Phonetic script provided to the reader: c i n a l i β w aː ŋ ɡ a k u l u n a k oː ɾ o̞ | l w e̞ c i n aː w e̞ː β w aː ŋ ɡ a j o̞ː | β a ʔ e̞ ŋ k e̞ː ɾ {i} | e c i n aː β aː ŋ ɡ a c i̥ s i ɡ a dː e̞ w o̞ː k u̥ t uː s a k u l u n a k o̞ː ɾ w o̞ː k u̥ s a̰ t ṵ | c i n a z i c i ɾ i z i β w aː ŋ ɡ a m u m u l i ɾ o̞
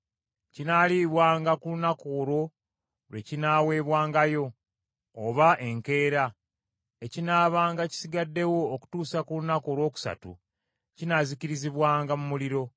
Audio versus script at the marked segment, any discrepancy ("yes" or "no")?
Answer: yes